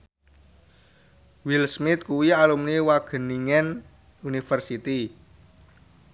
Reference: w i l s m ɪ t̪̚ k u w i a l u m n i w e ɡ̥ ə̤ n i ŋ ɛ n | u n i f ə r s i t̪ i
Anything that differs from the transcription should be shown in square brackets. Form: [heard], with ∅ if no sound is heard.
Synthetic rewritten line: w i l s m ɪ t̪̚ k u w i a l u m n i w [a] ɡ̥ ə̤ n i ŋ ɛ n | u n i f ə r s i t̪ i